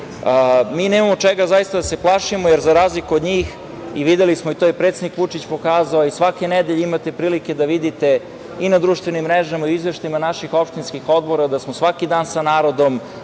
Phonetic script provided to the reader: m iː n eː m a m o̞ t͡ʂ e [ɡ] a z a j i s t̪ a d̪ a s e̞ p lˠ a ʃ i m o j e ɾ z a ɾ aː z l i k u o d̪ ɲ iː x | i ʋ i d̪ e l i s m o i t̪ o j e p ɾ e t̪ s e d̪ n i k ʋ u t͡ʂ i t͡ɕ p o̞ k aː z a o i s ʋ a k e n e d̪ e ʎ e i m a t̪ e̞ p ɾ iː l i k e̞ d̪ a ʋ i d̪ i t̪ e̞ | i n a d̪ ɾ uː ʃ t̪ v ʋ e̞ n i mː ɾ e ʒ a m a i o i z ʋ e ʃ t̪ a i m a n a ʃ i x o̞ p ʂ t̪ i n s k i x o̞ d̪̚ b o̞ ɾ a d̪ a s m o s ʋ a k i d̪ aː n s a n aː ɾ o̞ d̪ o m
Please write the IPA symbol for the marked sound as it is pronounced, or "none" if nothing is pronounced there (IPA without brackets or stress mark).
ɡ